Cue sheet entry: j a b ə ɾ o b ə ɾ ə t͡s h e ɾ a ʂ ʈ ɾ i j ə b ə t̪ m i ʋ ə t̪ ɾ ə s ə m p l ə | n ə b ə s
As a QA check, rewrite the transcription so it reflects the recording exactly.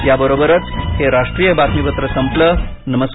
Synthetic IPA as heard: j a b ə ɾ o b ə ɾ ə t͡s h e ɾ a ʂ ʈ ɾ i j ə b a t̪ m i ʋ ə t̪ ɾ ə s ə m p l ə | n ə m ə s